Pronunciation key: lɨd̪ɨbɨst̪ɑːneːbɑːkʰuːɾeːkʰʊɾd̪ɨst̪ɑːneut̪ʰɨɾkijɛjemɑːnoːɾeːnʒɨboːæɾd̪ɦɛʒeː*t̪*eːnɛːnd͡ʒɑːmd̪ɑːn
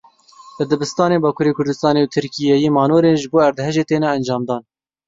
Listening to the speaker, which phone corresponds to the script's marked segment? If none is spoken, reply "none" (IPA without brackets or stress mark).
t̪